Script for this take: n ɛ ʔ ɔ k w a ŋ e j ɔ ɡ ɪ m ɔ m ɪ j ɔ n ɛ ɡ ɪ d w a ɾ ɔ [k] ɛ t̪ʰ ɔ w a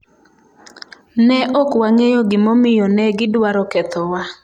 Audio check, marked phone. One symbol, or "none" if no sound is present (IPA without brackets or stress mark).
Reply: k